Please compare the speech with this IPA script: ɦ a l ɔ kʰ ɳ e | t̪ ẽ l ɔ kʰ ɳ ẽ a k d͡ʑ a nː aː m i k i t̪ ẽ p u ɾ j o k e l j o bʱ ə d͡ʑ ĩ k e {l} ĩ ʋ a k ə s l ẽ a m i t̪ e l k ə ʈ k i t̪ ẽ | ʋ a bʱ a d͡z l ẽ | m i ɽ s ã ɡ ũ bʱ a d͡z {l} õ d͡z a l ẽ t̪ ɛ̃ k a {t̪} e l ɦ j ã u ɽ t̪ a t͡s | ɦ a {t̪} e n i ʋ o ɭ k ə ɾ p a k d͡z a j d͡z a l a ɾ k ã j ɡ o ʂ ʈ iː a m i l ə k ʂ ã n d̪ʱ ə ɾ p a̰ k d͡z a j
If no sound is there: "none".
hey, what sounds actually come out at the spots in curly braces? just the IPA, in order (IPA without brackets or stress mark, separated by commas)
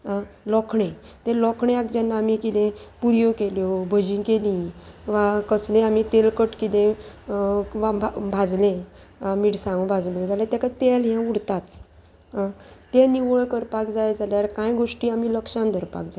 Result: l, l, t̪, t̪